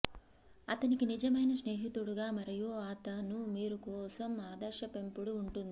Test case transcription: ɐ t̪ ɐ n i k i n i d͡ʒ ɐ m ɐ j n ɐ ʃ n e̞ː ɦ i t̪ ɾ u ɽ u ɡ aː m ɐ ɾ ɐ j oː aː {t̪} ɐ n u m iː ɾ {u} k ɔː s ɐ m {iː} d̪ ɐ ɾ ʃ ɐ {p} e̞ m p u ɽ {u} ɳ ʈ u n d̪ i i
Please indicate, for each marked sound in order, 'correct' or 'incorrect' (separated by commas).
correct, correct, incorrect, correct, incorrect